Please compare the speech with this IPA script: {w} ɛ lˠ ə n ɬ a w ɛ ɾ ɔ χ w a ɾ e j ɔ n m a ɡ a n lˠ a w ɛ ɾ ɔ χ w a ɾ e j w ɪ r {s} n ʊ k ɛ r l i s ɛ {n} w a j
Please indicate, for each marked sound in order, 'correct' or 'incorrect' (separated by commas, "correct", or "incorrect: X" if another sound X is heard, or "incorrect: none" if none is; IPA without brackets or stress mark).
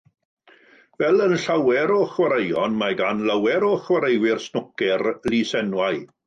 incorrect: v, correct, correct